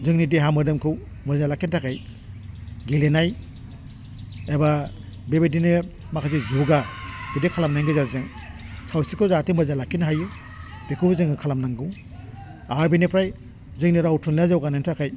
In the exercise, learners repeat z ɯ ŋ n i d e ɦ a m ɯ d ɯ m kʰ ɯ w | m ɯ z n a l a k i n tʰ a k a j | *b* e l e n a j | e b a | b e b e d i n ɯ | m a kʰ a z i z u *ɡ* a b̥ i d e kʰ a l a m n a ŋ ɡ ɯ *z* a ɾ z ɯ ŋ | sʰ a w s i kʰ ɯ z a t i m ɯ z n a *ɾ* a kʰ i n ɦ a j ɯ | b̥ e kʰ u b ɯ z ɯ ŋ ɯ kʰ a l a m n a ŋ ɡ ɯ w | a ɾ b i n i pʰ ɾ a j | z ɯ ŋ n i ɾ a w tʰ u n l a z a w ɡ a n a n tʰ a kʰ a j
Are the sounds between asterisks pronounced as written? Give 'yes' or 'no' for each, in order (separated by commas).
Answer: no, yes, yes, no